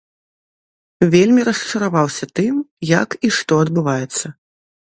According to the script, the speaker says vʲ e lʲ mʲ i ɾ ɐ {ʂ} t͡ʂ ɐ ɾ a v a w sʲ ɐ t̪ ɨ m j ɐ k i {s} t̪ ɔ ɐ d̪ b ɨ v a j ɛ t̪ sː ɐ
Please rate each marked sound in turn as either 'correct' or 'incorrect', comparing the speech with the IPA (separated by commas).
incorrect, incorrect